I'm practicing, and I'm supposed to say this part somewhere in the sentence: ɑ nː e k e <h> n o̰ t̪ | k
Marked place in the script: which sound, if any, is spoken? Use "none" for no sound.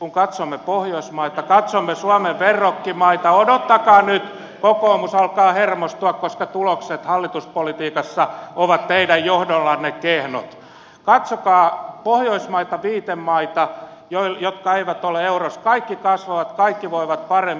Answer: h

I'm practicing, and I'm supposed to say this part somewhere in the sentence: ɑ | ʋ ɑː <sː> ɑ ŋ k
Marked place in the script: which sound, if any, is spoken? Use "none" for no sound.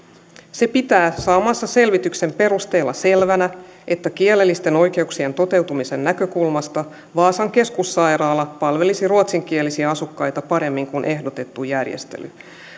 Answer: s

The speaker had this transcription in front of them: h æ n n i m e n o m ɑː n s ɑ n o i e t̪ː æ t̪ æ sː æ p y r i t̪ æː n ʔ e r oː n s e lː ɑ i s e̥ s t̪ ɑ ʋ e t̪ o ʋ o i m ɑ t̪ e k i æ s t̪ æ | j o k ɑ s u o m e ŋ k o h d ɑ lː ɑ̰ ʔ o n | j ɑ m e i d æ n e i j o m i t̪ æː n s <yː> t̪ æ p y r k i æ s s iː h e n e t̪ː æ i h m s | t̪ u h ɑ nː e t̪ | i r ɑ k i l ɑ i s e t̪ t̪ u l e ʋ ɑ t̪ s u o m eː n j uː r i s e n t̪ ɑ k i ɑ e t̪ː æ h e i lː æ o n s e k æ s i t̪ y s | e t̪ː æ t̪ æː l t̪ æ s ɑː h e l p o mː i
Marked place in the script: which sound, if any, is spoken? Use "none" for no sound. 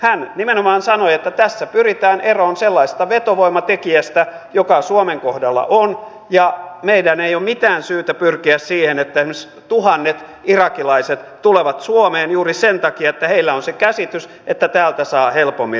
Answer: yː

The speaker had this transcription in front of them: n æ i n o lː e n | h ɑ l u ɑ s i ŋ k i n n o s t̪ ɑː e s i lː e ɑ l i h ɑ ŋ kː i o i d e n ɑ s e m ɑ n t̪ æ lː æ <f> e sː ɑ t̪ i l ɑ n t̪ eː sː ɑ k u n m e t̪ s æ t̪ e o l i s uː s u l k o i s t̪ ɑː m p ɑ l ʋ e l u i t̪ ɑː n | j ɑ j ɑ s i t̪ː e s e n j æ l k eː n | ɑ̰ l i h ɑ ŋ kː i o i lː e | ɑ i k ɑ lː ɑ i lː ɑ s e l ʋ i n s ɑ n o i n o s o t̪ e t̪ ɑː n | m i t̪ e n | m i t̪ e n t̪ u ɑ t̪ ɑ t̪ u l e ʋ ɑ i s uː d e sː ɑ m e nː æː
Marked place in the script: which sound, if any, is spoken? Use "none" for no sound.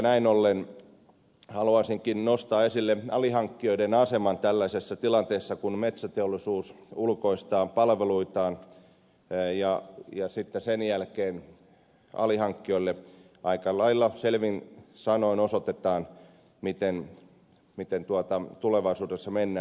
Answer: s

